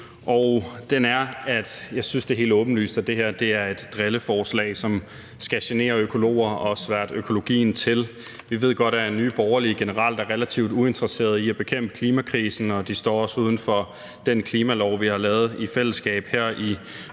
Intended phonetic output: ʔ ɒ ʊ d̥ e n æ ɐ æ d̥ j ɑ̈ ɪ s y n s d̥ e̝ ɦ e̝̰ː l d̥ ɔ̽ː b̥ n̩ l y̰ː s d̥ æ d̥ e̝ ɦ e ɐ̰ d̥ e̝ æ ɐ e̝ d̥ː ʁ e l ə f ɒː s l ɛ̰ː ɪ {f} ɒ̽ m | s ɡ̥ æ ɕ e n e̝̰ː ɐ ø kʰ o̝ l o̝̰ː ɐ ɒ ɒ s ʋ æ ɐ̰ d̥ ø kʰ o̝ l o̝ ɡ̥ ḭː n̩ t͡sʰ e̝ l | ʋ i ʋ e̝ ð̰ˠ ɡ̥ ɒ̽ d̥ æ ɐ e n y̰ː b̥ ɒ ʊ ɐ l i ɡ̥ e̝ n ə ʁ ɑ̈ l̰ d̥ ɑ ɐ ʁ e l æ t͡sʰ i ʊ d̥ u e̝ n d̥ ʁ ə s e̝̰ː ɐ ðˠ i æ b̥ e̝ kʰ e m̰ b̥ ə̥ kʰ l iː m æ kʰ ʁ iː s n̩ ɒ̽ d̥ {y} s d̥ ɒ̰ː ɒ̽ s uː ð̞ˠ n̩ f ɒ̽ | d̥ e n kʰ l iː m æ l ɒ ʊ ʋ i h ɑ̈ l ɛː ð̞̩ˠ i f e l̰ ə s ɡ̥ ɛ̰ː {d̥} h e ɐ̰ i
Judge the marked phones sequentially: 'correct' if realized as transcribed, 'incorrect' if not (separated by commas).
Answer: incorrect, incorrect, incorrect